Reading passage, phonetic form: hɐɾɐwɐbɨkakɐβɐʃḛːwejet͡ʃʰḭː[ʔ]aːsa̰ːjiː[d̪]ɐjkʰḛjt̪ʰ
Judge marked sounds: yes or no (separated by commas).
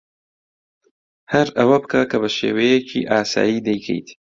yes, yes